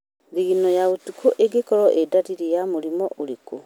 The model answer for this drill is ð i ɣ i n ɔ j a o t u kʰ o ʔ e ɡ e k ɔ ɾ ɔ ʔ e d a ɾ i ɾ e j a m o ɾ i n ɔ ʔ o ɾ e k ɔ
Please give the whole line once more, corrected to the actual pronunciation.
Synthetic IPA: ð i ɣ i n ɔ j a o t u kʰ o ʔ e ɡ e k ɔ ɾ ɔ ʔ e d a ɾ i ɾ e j a m o ɾ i m ɔ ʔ o ɾ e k o